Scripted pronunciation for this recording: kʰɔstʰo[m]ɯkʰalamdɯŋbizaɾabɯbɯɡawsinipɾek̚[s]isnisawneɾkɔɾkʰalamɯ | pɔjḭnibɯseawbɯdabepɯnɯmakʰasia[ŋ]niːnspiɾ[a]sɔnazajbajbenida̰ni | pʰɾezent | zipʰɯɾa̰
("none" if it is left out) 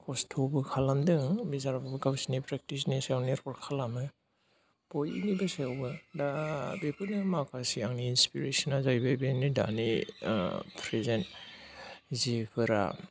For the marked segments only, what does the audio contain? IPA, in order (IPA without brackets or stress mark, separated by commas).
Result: b, t, ŋ, e